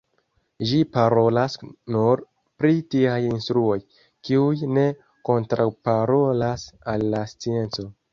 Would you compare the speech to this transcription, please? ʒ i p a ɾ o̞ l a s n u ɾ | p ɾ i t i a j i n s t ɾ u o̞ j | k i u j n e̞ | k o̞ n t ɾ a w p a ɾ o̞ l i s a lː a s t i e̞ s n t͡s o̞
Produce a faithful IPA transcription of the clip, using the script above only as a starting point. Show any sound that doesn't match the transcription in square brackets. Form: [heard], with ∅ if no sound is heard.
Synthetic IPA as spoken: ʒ i p a ɾ o̞ l a s n u ɾ | p ɾ i t i a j i n s t ɾ u o̞ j | k i u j n e̞ | k o̞ n t ɾ a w p a ɾ o̞ l [a] s a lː a s [t͡s] i e̞ [∅] n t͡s o̞